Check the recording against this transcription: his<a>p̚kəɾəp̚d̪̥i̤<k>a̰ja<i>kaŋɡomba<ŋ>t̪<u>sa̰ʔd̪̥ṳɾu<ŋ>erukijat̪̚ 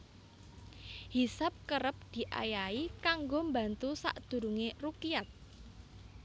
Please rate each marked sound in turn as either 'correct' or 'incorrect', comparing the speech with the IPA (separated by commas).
correct, incorrect, correct, incorrect, correct, correct